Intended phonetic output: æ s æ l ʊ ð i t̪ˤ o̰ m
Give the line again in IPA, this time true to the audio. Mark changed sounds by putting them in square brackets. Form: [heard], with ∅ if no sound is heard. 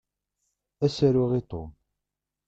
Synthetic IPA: æ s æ [ɾ] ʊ [ʁ] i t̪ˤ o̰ m